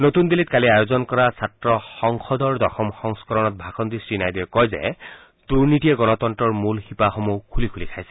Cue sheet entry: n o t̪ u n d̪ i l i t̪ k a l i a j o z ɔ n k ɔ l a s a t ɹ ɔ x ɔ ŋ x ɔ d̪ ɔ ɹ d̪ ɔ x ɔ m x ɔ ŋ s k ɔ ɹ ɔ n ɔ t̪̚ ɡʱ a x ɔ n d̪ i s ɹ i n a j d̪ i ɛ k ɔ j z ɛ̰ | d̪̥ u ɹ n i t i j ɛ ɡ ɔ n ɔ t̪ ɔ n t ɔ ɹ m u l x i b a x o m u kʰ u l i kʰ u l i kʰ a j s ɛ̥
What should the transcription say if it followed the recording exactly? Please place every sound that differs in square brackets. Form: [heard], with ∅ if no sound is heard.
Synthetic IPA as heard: n o t̪ u n d̪ i l i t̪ k a l i a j o z ɔ n k ɔ [ɹ] a s a t ɹ ɔ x ɔ ŋ x ɔ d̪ ɔ ɹ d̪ ɔ x ɔ m x ɔ ŋ s k ɔ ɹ ɔ n ɔ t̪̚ [bʱ] a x ɔ n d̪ i s ɹ i n a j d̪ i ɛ k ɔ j z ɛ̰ | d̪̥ u ɹ n i t i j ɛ ɡ ɔ n ɔ t̪ ɔ n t ɔ ɹ m u l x i [p] a x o m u kʰ u l i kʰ u l i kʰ a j s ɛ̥